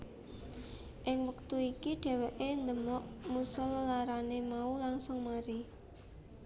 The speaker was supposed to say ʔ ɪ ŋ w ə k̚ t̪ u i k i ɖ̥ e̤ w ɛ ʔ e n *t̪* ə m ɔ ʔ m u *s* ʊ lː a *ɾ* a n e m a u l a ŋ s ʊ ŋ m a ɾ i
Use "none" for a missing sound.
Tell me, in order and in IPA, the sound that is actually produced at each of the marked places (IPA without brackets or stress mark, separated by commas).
d̪, s, ɾ